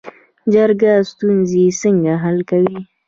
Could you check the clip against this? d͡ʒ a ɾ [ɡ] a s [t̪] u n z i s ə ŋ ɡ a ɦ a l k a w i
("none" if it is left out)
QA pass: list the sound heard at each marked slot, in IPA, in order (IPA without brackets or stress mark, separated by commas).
ɡ, t̪